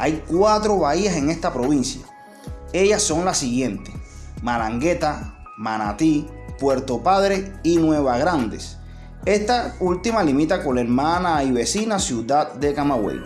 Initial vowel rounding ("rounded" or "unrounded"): unrounded